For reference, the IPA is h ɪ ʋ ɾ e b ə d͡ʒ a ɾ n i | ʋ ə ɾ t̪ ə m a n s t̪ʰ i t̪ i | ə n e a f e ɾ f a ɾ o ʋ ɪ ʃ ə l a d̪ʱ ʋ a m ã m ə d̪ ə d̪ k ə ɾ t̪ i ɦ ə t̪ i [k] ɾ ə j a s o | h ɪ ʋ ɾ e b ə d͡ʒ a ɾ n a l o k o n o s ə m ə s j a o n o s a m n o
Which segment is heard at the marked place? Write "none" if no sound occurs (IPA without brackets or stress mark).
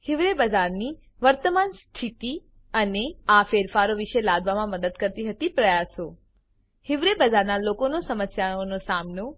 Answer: p